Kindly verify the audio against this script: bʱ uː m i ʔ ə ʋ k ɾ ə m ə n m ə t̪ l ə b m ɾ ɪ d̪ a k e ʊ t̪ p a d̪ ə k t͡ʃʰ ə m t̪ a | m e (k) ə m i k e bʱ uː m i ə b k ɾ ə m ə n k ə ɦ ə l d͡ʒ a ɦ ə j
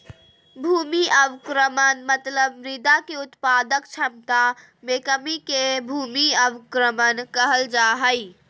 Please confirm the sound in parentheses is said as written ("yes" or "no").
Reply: yes